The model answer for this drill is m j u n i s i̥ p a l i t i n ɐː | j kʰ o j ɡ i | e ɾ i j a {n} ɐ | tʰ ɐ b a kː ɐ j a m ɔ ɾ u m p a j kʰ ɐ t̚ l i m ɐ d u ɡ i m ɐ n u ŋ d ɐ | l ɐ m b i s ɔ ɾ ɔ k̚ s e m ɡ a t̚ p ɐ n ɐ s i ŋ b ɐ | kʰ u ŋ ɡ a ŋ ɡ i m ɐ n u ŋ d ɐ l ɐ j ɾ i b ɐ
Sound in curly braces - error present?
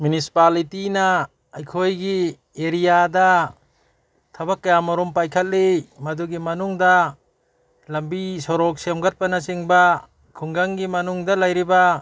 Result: yes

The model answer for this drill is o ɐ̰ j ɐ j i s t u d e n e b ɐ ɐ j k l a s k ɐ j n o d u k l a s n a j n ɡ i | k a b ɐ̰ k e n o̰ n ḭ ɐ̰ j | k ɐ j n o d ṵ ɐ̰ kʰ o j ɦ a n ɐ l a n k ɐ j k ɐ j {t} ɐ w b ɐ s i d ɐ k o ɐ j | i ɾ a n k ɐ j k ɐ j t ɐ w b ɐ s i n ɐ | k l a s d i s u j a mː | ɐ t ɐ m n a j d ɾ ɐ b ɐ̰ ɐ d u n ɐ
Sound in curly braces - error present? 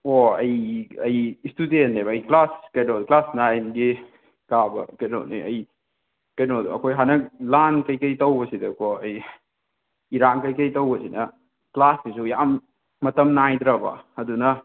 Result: no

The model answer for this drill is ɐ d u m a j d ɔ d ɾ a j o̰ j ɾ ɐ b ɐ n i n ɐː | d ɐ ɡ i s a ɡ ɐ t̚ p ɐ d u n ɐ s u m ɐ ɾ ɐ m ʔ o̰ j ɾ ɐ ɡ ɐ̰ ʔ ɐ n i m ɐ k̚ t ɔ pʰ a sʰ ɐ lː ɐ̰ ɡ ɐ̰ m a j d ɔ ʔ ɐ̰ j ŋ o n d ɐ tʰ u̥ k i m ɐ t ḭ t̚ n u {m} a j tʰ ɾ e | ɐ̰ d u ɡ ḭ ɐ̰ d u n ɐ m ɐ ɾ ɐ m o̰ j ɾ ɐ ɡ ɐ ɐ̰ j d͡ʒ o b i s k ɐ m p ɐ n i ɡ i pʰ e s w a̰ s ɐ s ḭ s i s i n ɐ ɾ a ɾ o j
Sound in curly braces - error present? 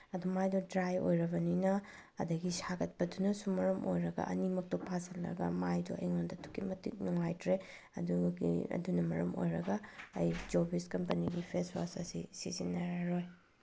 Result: yes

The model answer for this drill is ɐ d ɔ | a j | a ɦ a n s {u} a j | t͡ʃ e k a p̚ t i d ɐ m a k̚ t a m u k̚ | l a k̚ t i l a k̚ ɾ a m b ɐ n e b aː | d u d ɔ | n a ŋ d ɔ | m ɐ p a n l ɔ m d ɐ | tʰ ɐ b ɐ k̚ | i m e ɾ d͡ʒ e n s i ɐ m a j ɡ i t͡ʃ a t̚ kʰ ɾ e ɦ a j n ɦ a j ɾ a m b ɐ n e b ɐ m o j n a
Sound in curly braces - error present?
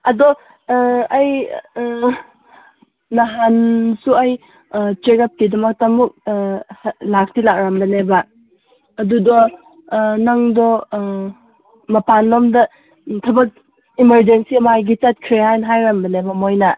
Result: no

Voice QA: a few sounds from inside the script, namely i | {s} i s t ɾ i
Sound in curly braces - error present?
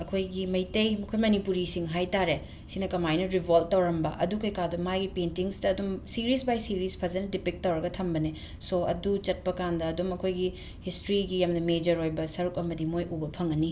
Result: yes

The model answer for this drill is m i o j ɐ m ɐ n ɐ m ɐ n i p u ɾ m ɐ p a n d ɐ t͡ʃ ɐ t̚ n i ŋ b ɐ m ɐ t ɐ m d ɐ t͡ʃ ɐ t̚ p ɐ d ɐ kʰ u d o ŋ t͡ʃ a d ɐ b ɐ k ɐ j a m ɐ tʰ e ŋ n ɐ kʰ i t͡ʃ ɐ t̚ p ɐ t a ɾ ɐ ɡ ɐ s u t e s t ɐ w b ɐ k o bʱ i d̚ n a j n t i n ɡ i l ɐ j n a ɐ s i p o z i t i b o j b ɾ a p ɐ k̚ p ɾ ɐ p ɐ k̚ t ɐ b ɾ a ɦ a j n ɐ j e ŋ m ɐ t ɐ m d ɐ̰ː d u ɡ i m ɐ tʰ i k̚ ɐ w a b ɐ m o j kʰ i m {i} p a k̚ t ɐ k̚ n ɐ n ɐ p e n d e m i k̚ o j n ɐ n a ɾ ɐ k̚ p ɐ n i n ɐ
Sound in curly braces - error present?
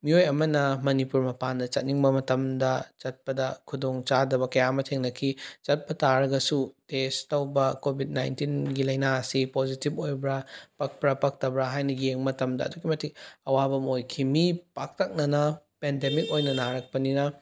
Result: no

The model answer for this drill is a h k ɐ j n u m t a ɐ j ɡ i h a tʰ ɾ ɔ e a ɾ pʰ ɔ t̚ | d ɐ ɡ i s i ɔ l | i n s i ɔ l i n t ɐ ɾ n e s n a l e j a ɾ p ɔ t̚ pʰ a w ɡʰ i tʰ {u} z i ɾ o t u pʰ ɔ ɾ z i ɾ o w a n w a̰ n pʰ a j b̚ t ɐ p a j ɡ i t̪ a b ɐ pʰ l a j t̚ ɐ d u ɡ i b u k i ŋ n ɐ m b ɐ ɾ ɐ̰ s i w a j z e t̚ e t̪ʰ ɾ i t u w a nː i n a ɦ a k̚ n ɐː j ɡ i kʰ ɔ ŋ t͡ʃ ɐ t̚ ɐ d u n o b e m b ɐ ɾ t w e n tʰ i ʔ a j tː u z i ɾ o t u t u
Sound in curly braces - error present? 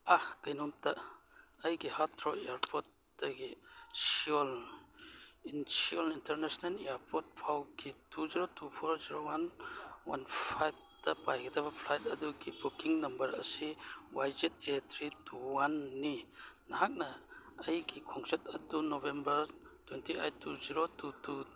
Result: no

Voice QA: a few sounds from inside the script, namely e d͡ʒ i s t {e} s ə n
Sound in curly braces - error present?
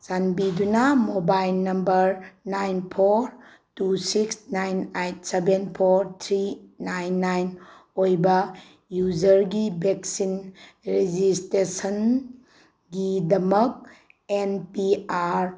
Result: no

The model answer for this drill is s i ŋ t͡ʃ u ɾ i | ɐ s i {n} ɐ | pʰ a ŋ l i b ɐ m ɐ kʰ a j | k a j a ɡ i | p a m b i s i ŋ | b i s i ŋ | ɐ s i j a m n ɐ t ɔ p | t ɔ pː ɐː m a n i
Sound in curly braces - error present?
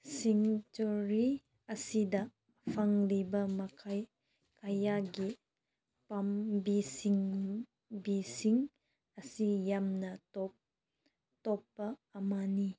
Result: yes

